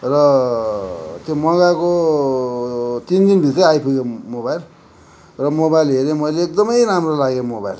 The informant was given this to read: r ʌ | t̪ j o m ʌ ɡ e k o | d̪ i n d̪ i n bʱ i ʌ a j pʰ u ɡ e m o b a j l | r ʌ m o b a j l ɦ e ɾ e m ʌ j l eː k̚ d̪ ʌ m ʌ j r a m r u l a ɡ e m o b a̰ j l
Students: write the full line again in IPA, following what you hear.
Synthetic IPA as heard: r ʌ | t̪ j o m ʌ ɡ a k o | t̪ i n d̪ i n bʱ i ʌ a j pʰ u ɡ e m o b a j l | r ʌ m o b a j l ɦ e ɾ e m ʌ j l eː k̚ d̪ ʌ m ʌ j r a m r o l a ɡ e m o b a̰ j l